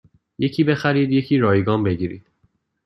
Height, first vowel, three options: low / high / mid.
mid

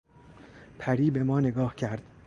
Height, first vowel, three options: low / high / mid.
low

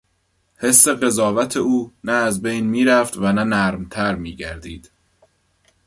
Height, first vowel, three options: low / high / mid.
mid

